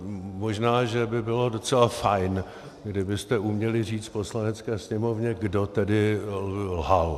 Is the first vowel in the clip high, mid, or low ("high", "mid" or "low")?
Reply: mid